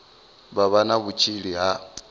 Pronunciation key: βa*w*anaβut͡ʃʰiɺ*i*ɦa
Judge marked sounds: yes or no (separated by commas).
no, yes